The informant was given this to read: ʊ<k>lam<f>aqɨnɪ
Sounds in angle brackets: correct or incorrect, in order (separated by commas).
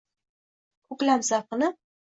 correct, incorrect